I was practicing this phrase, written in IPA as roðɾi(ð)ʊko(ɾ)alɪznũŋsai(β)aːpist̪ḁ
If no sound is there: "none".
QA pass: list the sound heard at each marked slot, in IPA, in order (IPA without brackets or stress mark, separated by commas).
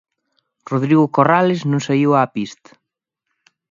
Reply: ɣ, r, w